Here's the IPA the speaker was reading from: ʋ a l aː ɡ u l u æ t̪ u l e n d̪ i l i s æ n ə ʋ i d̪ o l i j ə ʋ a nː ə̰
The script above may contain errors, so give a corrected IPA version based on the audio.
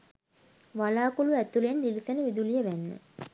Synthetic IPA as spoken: ʋ a l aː k u l u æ t̪ u l e n d̪ i l i s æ n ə ʋ i d̪ u l i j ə ʋ æ nː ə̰